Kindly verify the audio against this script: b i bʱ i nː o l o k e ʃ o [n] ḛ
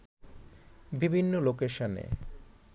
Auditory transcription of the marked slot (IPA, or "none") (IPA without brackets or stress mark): n